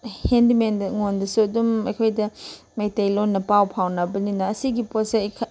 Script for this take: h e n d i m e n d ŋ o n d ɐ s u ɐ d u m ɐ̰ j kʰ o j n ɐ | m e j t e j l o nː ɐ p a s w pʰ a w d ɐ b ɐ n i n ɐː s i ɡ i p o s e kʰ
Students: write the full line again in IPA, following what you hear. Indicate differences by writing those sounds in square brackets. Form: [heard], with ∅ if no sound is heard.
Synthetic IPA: h e n d i m e n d ŋ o n d ɐ s u ɐ d u m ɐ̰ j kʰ o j [d] ɐ | m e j t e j l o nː ɐ p a [∅] w pʰ a w [n] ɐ b ɐ n i n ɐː s i ɡ i p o s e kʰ